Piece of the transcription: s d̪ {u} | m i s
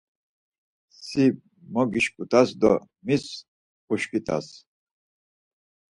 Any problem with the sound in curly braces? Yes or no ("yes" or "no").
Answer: yes